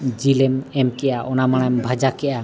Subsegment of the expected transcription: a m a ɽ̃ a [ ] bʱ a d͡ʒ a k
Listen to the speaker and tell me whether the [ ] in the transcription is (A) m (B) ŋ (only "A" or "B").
A